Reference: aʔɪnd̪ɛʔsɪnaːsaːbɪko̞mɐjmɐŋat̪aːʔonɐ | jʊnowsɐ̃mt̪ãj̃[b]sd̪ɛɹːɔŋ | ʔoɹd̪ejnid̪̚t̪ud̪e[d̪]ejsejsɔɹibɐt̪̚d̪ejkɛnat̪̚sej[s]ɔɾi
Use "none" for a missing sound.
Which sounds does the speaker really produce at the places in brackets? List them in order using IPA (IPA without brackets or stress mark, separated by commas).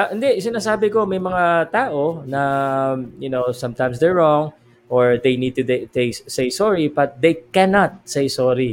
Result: m, t̪, s